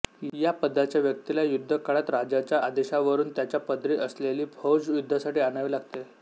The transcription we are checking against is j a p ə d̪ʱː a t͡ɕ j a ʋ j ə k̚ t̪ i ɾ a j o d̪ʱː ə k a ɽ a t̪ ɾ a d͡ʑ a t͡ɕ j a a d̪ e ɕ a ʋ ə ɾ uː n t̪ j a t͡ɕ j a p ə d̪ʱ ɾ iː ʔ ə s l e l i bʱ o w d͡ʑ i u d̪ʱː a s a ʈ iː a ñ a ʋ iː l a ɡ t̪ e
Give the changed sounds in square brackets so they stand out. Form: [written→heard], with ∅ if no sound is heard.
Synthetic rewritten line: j a p ə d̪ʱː a t͡ɕ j a ʋ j ə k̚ t̪ i [ɾ→l] a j [o→u] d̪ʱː ə k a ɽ a t̪ ɾ a d͡ʑ a t͡ɕ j a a d̪ e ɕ a ʋ ə ɾ uː n t̪ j a t͡ɕ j a p ə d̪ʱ ɾ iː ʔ ə s l e l [i→iː] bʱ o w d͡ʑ [i→j] u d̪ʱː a s a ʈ iː a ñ a ʋ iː l a ɡ t̪ e